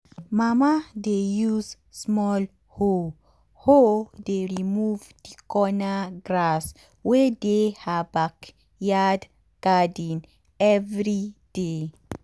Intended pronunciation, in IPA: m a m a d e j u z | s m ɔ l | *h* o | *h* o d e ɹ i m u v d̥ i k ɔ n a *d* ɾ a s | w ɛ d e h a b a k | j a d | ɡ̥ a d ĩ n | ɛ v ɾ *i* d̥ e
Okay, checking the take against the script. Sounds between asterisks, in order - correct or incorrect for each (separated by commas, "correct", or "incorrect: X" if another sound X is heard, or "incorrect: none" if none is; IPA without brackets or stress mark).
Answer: correct, correct, incorrect: ɡ, correct